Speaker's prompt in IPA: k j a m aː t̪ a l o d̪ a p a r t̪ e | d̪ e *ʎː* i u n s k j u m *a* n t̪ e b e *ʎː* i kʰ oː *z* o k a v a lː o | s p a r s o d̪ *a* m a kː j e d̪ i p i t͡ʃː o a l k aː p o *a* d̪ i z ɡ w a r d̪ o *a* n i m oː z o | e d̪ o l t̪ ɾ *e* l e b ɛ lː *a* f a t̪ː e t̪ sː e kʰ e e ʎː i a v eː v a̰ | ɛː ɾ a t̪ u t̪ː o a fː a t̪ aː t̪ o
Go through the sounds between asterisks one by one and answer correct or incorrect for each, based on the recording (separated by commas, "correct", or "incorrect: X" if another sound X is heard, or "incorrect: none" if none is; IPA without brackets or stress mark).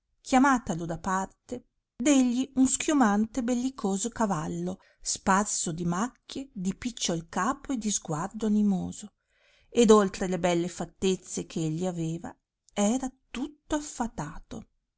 correct, correct, incorrect: lː, correct, incorrect: i, incorrect: e, correct, correct, incorrect: e